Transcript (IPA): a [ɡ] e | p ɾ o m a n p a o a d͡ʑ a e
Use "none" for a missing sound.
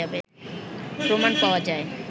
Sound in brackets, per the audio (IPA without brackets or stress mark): b